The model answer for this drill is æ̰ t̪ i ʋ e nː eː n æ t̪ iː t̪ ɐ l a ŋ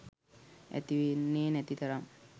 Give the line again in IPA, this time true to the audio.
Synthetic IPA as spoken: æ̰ t̪ i ʋ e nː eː n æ t̪ i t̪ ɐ ɾ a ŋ